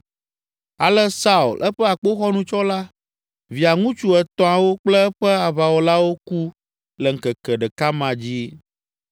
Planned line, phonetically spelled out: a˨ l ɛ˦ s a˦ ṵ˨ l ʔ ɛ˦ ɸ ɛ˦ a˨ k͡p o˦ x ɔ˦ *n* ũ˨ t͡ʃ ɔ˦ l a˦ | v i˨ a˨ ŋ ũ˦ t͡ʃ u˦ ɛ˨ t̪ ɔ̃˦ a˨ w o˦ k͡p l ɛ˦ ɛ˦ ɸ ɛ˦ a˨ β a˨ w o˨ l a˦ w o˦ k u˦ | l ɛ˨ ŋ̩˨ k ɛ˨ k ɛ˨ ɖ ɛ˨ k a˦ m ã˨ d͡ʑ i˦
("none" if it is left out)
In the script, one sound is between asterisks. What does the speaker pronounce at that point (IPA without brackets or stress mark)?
n